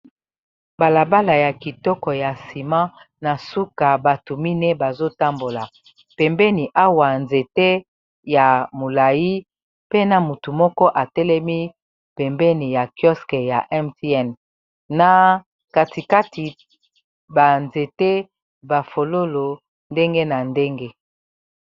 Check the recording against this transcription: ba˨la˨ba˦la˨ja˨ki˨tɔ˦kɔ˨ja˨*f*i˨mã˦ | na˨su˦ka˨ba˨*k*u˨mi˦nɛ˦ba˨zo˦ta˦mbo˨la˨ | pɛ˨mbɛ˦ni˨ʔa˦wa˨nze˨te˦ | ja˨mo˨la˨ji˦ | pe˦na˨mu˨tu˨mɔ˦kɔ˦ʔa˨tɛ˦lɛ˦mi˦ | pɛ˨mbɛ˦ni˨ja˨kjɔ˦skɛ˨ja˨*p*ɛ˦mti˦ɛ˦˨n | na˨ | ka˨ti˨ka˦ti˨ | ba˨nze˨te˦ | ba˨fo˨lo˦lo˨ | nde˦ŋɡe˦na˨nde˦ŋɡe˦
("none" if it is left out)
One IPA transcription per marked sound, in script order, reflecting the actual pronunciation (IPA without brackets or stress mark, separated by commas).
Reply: s, t, ʔ